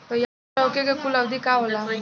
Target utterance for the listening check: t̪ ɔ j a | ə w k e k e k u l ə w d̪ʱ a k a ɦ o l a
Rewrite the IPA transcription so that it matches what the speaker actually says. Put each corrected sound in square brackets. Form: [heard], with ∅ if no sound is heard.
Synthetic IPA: t̪ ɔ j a | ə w k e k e k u l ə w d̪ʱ [i] k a ɦ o l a